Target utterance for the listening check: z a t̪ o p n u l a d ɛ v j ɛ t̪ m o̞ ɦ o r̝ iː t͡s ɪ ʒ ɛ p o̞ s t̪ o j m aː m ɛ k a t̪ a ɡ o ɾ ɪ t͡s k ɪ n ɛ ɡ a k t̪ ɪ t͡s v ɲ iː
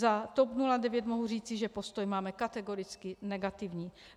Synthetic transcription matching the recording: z a t̪ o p n u l a d ɛ v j ɛ t̪ m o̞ ɦ u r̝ iː t͡s ɪ ʒ ɛ p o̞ s t̪ o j m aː m ɛ k a t̪ ɛ ɡ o ɾ ɪ t͡s k ɪ n ɛ ɡ a t̪ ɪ v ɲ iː